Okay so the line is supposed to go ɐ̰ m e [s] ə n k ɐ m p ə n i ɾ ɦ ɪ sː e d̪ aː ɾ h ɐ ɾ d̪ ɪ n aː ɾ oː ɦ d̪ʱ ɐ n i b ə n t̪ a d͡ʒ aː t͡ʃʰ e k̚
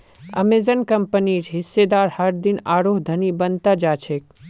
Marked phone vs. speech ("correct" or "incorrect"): incorrect